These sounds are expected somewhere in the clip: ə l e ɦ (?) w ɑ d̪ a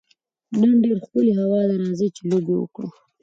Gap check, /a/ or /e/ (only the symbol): a